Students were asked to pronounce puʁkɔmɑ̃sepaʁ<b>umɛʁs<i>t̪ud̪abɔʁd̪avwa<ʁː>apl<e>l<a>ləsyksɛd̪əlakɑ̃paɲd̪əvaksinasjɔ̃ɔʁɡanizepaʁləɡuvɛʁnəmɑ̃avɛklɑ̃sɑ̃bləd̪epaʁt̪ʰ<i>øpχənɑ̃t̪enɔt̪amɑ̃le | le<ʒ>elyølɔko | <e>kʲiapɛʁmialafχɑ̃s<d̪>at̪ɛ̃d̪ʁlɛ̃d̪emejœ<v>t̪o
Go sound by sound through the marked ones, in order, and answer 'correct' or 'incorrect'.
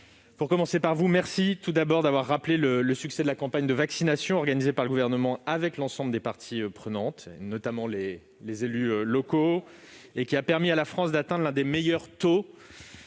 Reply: incorrect: v, correct, correct, correct, incorrect: ə, correct, incorrect: z, correct, correct, incorrect: ʁ

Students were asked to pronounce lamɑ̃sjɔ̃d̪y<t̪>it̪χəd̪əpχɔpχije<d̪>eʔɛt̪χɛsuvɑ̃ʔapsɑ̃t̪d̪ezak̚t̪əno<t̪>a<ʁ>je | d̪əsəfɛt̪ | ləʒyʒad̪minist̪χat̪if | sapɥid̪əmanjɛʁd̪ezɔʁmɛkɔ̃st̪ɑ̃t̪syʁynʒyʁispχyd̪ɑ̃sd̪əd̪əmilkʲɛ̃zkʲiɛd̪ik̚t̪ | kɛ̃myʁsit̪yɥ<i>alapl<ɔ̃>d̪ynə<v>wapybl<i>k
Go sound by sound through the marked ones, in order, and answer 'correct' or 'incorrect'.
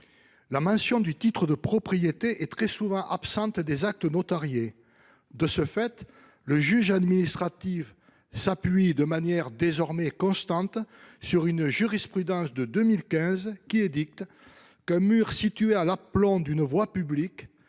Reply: correct, incorrect: t̪, correct, correct, incorrect: e, correct, correct, correct

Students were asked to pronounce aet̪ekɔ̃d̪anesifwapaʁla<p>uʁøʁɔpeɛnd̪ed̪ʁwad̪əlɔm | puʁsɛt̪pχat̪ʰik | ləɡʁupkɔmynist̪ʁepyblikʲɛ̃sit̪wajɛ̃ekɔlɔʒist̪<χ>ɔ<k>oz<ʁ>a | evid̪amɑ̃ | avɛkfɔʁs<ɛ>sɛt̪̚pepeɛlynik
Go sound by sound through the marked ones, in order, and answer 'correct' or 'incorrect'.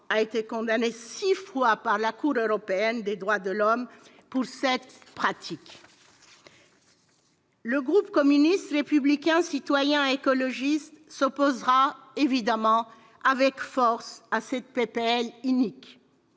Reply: incorrect: k, incorrect: s, incorrect: p, correct, incorrect: a

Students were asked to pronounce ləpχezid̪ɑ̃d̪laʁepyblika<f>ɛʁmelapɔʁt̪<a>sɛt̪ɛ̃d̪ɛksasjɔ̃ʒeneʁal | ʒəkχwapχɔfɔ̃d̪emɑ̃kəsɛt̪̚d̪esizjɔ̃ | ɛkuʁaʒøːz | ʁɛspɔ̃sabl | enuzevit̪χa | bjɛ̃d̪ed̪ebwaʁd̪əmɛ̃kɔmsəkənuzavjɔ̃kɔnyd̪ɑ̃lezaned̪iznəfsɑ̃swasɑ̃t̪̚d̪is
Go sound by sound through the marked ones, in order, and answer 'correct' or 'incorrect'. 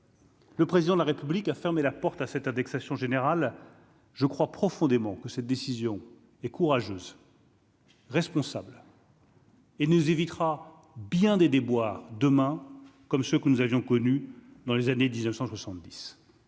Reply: correct, correct

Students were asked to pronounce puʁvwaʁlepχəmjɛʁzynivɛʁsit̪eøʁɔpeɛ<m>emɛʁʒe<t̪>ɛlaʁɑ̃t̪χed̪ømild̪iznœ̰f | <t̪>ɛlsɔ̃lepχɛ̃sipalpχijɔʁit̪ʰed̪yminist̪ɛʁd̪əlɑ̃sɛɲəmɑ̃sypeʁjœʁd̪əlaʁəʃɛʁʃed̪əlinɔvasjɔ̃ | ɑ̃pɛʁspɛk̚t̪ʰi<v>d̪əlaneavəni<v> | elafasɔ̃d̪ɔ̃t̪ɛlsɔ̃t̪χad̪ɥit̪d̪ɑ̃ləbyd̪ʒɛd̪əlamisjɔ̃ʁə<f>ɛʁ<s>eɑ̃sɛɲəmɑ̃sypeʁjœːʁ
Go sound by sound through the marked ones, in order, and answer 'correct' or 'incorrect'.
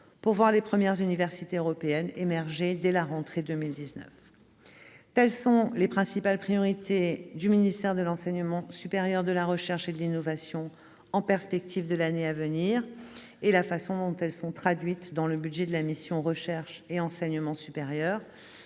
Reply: incorrect: n, incorrect: d̪, correct, correct, incorrect: ʁ, incorrect: ʃ, incorrect: ʃ

